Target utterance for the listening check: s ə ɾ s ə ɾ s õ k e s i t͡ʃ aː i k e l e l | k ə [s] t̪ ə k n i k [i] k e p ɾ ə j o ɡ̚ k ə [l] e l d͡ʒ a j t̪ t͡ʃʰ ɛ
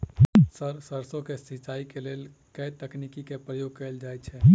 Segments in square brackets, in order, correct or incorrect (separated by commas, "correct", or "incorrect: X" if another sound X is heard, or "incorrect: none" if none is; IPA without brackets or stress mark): incorrect: none, correct, incorrect: none